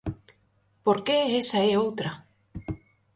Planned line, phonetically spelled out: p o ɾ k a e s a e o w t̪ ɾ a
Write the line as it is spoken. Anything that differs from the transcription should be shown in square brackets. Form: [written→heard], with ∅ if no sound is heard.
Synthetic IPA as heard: p o ɾ k [a→e] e s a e o w t̪ ɾ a